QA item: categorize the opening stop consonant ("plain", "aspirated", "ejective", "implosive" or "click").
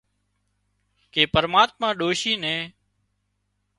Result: plain